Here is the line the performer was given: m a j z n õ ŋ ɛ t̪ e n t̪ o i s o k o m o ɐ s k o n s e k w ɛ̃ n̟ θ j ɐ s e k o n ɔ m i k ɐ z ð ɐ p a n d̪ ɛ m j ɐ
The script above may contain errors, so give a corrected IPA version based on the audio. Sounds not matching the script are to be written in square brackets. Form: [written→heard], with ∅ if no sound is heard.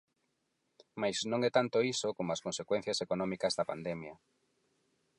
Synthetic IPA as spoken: m a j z n õ ŋ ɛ t̪ [e→a] n t̪ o i s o k o m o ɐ s k o n s e k w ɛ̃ n̟ θ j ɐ s e k o n ɔ m i k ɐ z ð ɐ p a n d̪ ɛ m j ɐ